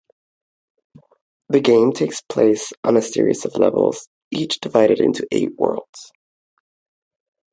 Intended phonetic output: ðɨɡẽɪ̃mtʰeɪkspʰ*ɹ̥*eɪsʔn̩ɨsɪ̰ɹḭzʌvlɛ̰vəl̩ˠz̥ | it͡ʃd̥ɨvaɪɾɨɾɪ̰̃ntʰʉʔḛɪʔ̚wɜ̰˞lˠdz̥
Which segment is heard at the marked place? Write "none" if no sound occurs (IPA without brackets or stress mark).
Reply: l̥